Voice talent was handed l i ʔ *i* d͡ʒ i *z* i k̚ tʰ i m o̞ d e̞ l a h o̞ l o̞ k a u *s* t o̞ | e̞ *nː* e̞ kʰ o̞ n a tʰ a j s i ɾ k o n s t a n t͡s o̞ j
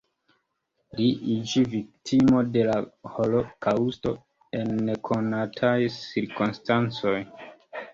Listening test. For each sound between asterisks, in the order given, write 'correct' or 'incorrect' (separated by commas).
correct, incorrect, correct, correct